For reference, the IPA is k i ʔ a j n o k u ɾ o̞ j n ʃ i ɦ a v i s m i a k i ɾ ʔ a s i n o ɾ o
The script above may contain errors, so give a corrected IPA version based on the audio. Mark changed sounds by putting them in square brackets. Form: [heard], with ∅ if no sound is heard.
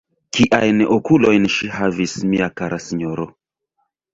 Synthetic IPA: k i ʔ a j n o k u [l] o̞ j n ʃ i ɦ a v i s m i a k [a] ɾ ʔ a s i [ɲ] o ɾ o